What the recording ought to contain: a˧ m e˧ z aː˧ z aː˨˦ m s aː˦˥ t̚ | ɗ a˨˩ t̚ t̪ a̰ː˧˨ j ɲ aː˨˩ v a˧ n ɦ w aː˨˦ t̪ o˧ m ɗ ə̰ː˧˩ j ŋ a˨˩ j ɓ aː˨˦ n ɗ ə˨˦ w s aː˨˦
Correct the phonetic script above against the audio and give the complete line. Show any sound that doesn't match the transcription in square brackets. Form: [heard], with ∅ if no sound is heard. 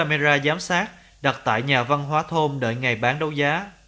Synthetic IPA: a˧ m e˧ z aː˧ z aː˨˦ m s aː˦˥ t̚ | ɗ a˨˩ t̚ t̪ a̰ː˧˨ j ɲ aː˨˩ v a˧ n ɦ w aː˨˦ [t̪ʰ] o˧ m ɗ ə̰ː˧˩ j ŋ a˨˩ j ɓ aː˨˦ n ɗ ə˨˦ w [z] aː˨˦

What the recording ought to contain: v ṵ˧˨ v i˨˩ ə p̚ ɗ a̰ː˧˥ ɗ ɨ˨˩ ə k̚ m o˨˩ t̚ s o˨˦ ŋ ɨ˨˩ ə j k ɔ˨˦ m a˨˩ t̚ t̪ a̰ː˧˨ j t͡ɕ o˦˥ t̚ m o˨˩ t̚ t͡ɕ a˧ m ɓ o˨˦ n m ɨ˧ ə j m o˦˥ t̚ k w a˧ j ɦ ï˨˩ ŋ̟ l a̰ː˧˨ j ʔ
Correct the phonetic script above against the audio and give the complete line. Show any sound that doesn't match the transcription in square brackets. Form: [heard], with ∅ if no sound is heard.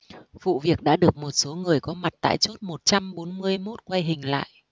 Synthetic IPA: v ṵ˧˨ v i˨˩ ə [k̚] ɗ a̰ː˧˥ ɗ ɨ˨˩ ə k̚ m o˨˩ t̚ s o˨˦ ŋ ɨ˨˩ ə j k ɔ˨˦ m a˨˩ t̚ t̪ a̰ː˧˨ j t͡ɕ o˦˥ t̚ m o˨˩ t̚ t͡ɕ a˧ m ɓ o˨˦ n m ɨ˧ ə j m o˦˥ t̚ k w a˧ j ɦ ï˨˩ ŋ̟ l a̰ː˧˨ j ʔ

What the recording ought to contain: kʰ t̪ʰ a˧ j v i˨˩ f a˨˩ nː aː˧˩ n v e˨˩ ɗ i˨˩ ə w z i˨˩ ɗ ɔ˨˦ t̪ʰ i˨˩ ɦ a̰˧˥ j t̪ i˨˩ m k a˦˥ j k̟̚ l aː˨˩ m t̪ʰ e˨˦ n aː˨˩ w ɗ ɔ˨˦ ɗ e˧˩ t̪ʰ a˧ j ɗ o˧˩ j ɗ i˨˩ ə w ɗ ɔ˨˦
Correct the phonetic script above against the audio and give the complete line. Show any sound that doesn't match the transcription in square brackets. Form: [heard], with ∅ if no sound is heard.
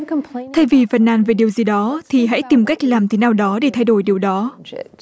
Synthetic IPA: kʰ t̪ʰ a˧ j v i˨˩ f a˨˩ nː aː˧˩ n v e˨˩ ɗ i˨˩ ə w z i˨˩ ɗ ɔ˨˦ t̪ʰ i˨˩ ɦ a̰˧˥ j t̪ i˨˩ m k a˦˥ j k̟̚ l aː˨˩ m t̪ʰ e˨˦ n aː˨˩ w ɗ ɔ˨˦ ɗ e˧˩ t̪ʰ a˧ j ɗ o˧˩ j ɗ i˨˩ ə w ɗ ɔ˨˦

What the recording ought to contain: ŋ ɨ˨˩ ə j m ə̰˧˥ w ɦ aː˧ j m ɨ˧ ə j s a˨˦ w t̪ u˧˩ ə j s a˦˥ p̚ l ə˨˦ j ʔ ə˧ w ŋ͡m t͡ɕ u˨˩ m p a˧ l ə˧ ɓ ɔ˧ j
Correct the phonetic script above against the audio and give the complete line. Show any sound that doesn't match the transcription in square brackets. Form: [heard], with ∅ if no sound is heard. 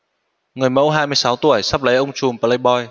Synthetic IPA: ŋ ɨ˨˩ ə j m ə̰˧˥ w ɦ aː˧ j m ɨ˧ ə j s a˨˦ w t̪ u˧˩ ə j s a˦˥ p̚ l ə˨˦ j ʔ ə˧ w ŋ͡m t͡ɕ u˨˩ m p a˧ l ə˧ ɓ ɔ˧ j

